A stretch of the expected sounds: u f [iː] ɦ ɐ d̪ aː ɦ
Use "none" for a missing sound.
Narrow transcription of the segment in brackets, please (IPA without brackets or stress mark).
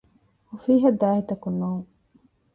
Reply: iː